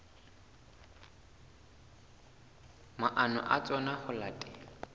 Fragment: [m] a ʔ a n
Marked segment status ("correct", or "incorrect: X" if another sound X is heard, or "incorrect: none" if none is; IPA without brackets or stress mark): correct